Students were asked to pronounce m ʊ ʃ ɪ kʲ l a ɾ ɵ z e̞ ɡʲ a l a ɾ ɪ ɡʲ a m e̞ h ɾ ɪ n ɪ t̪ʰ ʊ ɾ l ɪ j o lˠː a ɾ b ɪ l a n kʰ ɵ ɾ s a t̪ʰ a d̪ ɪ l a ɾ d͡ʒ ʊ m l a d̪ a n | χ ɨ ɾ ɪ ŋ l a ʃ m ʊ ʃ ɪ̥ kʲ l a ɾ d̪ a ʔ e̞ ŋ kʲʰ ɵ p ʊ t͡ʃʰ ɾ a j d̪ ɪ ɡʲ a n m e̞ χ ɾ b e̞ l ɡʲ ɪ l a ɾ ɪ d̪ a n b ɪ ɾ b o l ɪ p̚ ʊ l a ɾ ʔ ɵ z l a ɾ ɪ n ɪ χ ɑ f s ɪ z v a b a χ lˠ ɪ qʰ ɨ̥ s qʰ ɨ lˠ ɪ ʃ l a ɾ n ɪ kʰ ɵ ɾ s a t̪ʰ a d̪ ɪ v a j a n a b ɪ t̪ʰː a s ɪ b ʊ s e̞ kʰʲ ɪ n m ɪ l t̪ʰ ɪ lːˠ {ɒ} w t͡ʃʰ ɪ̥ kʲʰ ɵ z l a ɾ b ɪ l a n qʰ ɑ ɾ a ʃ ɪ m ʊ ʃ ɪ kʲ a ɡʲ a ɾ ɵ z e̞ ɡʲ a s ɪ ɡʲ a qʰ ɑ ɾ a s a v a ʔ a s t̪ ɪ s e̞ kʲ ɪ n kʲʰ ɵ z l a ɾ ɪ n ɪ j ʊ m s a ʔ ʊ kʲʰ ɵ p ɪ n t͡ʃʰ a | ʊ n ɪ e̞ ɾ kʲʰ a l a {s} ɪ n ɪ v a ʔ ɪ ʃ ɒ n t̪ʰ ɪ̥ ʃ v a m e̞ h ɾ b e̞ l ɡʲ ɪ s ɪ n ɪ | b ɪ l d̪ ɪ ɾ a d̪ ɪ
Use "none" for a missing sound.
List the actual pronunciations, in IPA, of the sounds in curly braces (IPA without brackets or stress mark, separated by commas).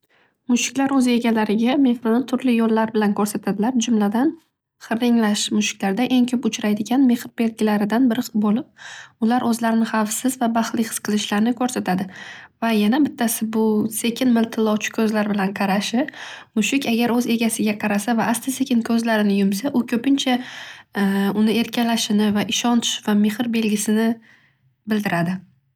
ɒ, ʃ